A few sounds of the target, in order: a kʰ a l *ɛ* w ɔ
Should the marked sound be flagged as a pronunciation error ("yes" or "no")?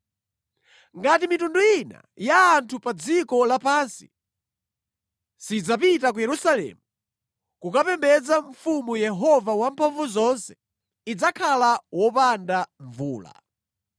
yes